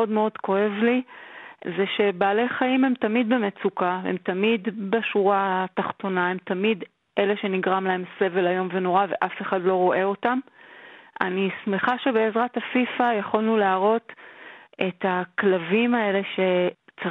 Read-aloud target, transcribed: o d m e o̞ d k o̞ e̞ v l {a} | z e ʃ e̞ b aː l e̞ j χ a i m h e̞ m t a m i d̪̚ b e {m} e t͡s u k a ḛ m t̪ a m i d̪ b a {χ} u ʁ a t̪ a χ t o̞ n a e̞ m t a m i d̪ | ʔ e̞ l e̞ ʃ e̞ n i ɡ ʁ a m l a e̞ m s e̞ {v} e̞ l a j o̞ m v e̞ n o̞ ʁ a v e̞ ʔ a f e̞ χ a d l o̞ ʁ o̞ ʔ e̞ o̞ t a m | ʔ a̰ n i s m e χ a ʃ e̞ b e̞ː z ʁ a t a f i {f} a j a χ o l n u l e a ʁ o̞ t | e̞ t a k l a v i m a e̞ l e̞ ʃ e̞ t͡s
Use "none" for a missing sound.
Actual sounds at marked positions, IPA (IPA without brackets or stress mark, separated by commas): i, m, ʃ, v, f